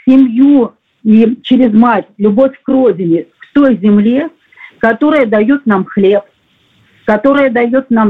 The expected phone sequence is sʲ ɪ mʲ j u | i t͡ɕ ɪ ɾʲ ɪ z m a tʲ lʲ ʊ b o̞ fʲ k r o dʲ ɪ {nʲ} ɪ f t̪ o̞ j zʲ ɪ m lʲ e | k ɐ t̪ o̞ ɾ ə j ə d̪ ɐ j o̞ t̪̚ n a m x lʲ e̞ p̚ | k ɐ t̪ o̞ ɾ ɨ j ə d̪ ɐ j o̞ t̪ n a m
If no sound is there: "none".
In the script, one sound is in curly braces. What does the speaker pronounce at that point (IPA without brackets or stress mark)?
nʲ